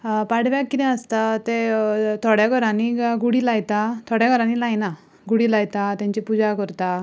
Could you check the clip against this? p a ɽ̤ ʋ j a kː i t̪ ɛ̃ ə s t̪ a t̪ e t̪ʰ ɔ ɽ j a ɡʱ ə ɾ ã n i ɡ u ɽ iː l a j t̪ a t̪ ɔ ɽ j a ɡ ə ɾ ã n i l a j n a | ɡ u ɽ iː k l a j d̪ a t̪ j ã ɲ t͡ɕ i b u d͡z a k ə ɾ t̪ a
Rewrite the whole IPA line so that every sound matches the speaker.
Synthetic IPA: p a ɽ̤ ʋ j a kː i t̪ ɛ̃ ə s t̪ a t̪ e t̪ʰ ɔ ɽ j a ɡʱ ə ɾ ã n i ɡ u ɽ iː l a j t̪ a t̪ʰ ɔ ɽ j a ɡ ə ɾ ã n i l a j n a | ɡ u ɽ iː l a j t̪ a t̪ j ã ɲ t͡ɕ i p u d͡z a k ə ɾ t̪ a